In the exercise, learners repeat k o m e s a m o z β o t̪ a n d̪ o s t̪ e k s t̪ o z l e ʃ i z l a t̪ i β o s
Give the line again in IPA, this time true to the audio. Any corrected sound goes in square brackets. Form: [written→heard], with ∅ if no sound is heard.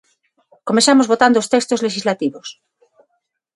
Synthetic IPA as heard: k o m e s a m o z β o t̪ a n d̪ o s t̪ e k s t̪ o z l e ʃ i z l a t̪ i β o s